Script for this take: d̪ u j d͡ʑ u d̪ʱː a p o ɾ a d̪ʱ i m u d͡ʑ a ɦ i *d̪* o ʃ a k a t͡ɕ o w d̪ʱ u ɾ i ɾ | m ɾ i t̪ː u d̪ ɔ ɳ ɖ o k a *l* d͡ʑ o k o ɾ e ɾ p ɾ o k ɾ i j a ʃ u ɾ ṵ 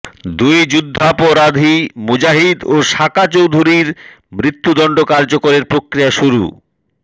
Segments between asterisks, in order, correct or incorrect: correct, incorrect: ɾ

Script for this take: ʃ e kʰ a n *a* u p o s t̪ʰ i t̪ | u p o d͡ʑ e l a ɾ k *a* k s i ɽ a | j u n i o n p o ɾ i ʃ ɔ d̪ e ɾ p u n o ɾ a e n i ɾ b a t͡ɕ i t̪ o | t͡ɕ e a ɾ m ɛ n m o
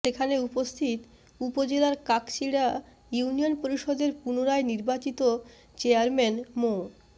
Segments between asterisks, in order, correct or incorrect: incorrect: e, correct

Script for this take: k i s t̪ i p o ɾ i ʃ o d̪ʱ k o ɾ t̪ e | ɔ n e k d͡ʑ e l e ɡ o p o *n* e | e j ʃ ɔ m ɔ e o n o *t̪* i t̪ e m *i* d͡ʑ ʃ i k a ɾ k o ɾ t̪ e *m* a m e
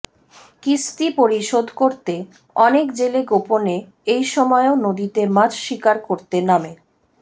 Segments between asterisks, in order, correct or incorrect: correct, incorrect: d̪, incorrect: a, incorrect: n

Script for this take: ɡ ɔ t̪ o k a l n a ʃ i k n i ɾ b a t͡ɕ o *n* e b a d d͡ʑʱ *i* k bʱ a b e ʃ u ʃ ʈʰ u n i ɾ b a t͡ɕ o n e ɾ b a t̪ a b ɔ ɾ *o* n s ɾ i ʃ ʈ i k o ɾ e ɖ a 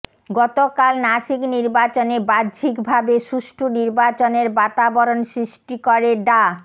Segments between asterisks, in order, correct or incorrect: correct, correct, correct

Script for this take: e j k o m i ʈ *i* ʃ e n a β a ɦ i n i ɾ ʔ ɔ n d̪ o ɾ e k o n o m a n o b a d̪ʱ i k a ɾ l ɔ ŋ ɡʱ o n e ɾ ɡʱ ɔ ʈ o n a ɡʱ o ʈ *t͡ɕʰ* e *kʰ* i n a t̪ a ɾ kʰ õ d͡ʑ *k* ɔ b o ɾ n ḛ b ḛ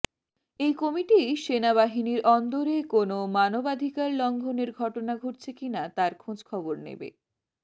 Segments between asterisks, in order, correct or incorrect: correct, correct, incorrect: k, incorrect: kʰ

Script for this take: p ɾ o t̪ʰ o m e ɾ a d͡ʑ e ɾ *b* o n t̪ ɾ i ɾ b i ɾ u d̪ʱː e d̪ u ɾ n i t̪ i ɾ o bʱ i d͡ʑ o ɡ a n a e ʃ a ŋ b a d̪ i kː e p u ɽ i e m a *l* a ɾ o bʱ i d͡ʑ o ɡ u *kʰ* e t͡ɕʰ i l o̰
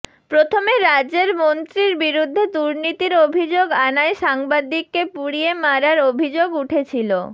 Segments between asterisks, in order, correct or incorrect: incorrect: m, incorrect: ɾ, incorrect: ʈʰ

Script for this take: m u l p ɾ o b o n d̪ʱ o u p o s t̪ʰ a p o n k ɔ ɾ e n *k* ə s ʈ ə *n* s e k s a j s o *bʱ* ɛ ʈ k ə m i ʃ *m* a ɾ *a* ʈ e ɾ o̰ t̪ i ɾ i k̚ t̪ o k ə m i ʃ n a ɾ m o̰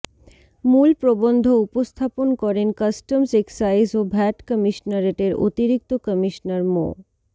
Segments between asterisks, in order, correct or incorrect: correct, incorrect: m, correct, incorrect: n, incorrect: e

